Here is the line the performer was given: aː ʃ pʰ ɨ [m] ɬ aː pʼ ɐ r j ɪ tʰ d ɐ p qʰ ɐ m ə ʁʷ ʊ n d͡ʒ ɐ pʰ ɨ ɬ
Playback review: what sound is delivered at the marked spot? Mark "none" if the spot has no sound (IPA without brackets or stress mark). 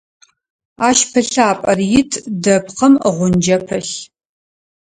none